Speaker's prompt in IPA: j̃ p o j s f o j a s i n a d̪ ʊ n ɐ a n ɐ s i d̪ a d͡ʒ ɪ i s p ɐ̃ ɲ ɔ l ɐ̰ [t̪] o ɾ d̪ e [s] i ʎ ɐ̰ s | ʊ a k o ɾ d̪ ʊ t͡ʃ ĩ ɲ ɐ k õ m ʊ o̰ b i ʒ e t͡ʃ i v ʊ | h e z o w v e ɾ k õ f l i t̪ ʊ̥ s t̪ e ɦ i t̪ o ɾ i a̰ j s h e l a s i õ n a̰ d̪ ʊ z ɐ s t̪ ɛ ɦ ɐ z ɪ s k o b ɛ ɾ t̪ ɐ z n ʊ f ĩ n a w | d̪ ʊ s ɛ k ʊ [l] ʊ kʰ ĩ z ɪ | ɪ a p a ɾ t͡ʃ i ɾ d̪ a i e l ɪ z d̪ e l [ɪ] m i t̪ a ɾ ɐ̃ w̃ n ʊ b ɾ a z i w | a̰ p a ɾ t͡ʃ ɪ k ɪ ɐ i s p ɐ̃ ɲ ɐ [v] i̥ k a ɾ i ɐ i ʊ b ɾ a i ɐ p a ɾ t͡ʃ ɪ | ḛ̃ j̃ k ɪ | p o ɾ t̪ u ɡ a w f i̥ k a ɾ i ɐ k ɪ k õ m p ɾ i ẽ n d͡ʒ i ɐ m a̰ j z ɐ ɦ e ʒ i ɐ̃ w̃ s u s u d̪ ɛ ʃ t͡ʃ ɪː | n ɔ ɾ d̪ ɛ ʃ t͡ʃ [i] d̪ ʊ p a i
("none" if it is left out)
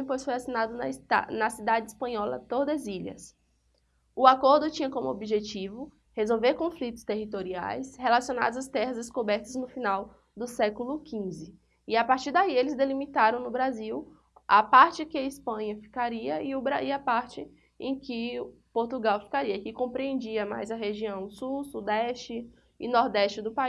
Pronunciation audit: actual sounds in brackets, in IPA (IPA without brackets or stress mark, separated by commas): t̪, z, l, i, f, ɪ